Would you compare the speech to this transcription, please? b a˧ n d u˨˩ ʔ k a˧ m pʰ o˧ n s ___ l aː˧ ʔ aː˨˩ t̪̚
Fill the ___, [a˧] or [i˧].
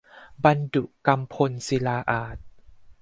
i˧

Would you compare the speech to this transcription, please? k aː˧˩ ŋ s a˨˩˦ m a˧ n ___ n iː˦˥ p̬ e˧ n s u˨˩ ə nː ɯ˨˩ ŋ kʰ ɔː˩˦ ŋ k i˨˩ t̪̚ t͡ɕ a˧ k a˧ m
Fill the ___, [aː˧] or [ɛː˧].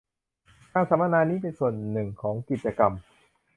aː˧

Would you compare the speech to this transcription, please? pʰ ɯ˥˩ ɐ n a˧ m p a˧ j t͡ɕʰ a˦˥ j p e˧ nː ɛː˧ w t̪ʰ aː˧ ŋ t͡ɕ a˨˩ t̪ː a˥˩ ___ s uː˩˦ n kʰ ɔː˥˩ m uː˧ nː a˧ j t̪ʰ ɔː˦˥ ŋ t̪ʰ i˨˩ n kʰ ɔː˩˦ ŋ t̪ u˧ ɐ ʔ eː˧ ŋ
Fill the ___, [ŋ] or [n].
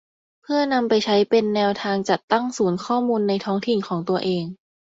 ŋ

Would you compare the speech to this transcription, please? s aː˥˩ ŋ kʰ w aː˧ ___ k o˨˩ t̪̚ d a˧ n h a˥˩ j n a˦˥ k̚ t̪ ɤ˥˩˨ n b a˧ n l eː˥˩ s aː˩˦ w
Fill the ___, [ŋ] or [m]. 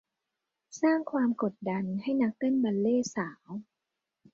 m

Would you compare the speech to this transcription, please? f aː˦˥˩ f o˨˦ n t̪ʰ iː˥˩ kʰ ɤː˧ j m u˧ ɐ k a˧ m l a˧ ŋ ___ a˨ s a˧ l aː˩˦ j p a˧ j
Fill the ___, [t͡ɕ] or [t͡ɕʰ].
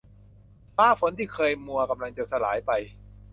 t͡ɕ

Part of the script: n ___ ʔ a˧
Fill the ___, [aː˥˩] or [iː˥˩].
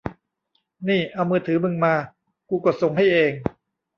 iː˥˩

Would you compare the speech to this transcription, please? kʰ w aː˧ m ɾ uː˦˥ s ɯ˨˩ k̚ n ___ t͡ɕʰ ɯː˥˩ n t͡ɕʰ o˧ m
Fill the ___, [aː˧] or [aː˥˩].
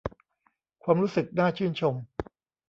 aː˥˩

